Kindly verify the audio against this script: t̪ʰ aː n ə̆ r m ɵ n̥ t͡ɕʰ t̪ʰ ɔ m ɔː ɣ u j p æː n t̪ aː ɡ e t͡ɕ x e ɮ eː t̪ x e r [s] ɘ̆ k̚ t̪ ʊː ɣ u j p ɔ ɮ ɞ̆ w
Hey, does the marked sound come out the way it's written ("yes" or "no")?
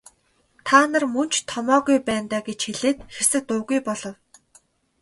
yes